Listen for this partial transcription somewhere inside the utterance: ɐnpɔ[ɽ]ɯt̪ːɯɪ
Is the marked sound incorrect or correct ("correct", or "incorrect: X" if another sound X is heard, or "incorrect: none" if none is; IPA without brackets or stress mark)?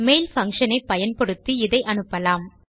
correct